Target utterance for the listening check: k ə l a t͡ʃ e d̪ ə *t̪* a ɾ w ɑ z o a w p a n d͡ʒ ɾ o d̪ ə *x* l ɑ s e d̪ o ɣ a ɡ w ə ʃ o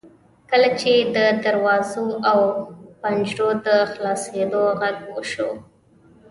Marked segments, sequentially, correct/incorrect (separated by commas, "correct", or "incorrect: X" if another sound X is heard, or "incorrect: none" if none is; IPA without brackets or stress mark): incorrect: d̪, correct